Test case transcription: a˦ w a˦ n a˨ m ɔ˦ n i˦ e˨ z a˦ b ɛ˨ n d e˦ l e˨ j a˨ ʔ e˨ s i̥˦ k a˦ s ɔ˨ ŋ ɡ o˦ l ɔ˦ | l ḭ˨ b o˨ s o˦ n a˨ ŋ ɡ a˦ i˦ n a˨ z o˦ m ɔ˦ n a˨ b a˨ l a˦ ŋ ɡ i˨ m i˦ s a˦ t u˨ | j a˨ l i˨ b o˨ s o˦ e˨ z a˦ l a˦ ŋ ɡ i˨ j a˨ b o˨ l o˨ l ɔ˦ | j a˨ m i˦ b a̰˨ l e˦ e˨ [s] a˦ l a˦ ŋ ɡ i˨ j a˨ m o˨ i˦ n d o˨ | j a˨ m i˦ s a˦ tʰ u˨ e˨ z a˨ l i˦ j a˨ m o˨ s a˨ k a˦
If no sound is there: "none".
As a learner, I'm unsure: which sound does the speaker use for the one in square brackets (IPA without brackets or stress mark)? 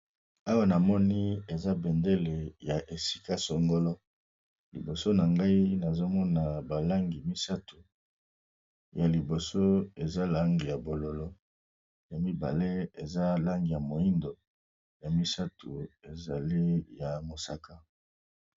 z